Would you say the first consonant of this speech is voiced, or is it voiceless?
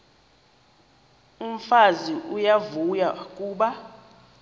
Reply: voiced